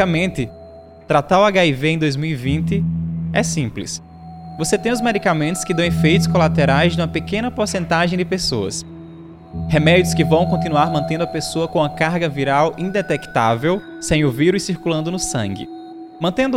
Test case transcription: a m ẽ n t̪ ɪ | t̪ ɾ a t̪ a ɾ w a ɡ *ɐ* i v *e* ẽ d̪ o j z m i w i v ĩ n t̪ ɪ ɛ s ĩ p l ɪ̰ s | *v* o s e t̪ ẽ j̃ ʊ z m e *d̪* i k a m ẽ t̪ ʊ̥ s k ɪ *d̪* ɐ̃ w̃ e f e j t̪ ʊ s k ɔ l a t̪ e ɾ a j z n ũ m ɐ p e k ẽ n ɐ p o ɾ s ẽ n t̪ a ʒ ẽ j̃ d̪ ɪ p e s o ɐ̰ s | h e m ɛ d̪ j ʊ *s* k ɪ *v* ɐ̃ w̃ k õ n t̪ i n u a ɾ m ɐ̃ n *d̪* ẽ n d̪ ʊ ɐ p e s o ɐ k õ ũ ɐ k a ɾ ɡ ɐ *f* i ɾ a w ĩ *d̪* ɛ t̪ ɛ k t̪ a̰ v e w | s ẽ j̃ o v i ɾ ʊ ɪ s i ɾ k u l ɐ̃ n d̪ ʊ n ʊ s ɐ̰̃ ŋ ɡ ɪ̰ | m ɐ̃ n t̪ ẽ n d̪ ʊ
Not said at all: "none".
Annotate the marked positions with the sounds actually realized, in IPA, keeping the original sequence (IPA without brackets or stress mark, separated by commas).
a, e, v, d̪, d̪, s, v, t̪, v, d̪